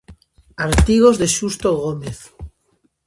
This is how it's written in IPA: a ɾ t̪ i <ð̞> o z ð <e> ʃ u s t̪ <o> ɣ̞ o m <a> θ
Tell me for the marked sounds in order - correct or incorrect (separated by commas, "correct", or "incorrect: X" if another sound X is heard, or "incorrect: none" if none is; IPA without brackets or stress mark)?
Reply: incorrect: ɣ̞, correct, correct, incorrect: e